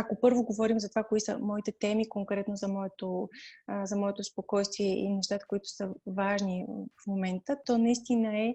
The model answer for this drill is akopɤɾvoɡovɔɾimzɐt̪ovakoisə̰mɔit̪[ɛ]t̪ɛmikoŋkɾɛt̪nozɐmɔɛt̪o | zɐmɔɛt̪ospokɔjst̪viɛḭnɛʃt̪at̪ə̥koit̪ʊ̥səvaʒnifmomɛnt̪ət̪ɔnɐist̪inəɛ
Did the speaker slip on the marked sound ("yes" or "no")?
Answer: no